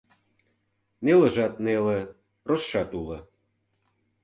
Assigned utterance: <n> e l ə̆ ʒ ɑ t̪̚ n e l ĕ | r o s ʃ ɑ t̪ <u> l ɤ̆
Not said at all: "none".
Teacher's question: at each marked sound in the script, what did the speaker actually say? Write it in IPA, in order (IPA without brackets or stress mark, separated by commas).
n, u